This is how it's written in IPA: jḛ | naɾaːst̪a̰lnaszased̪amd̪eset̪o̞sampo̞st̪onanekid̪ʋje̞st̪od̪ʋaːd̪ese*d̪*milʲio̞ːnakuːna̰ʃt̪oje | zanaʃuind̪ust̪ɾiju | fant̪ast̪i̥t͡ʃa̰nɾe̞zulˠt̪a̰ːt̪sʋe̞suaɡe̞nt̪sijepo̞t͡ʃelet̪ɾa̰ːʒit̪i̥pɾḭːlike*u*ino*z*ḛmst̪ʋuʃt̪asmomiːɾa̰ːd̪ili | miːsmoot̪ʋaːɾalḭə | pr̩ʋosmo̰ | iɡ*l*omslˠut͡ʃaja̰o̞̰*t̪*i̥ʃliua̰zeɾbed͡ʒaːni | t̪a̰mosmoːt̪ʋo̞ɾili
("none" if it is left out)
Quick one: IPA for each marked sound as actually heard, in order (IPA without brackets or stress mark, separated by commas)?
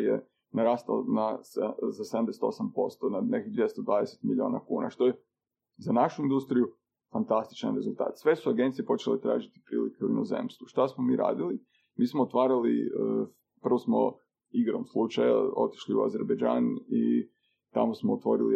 t̪, u, z, ɾ, t̪